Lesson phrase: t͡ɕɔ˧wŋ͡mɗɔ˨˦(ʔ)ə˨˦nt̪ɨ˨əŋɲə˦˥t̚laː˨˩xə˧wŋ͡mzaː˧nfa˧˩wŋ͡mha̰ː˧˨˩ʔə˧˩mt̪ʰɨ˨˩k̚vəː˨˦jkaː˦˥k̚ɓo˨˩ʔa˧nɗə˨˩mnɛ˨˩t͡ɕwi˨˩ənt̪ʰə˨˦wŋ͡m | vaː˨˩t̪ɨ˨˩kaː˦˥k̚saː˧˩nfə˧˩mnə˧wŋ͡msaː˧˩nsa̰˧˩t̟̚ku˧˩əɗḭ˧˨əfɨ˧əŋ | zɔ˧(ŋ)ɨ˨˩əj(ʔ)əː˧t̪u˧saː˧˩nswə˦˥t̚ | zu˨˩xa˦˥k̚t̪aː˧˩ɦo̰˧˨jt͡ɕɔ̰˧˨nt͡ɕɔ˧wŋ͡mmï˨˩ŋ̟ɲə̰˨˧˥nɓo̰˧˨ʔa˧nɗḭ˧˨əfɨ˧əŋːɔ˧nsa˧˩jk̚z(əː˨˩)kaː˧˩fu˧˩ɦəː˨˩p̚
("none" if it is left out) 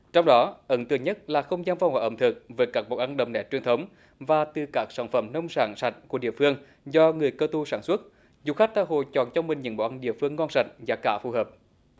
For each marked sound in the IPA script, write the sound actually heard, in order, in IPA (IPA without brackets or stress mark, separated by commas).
ʔ, ŋ, k, aː˨˩